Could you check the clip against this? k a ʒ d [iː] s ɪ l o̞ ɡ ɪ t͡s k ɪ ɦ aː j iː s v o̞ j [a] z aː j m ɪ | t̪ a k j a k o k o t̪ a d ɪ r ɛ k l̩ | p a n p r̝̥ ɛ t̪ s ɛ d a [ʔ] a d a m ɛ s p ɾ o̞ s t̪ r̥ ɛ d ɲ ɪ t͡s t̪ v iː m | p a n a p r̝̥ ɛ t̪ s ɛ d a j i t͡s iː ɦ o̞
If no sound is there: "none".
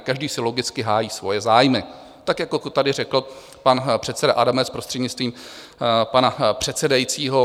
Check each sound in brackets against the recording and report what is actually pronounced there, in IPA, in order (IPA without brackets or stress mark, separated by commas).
iː, ɛ, ʔ